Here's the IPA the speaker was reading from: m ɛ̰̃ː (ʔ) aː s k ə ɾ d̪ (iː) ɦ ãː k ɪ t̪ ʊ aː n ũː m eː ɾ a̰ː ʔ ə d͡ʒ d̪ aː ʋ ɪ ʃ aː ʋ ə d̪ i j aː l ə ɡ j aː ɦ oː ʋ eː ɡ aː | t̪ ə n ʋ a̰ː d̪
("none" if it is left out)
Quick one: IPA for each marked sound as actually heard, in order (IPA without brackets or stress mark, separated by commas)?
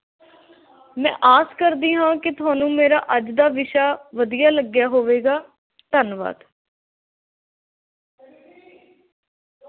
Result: ʔ, iː